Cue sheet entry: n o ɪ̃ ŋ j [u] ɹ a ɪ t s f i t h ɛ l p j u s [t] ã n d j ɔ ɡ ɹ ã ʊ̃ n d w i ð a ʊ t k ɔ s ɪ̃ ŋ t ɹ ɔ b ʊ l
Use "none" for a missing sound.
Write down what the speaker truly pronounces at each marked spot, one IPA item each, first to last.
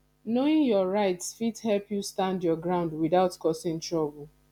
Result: ɔ, t

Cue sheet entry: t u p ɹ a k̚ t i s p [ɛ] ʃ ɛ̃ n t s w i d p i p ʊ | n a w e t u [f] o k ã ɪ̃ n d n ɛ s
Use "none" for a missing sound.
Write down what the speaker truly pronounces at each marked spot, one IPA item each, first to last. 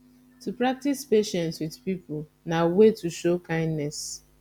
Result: e, ʃ

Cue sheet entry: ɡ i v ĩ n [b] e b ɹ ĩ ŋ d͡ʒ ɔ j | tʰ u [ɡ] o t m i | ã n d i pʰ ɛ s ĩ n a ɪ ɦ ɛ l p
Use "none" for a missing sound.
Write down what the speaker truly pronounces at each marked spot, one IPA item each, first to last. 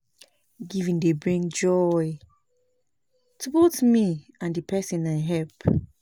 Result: d, b

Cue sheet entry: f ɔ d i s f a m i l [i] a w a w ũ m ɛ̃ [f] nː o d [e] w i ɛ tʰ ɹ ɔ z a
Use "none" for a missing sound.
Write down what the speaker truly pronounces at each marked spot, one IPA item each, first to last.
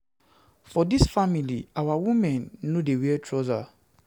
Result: i, none, e

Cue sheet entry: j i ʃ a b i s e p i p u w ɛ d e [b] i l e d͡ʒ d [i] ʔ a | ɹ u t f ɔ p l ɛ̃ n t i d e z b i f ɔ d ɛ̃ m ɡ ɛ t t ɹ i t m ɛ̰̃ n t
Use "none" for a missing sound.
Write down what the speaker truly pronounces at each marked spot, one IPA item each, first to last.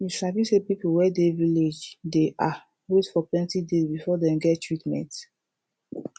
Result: v, e

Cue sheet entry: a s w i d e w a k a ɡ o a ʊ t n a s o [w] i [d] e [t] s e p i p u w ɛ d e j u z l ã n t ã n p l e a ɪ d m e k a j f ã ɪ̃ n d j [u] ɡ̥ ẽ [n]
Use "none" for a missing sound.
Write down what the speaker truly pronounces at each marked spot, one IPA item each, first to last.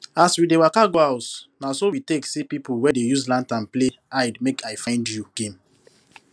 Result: w, t, k, u, m

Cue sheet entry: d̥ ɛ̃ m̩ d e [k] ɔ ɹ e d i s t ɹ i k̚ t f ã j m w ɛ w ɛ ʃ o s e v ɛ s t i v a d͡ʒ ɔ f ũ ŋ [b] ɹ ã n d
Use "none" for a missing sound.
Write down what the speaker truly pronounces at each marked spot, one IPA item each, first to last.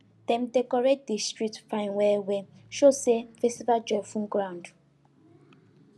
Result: k, ɡ

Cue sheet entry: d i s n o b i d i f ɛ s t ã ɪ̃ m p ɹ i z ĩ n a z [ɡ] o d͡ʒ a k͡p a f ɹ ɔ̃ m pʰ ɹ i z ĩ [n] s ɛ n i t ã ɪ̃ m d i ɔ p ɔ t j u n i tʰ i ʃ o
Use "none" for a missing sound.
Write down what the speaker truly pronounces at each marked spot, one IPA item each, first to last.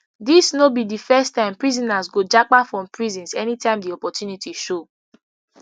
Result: ɡ, n

